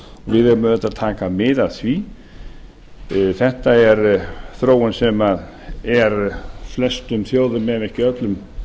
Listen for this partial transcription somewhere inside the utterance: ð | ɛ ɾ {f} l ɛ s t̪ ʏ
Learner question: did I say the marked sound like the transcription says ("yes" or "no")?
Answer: yes